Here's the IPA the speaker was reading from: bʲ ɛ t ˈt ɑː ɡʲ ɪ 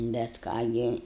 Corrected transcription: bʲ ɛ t ˈk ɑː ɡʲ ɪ